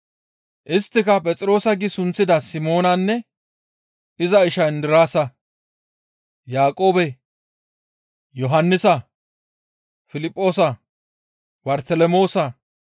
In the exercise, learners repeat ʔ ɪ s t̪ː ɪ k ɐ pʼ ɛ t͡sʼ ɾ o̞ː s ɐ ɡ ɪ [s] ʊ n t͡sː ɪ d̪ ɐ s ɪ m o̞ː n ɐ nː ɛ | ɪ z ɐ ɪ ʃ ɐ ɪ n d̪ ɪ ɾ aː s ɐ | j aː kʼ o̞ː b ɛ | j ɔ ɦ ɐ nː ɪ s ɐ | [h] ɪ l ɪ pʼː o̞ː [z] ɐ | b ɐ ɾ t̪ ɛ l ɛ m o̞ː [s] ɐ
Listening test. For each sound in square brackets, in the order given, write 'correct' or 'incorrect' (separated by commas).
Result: correct, incorrect, incorrect, correct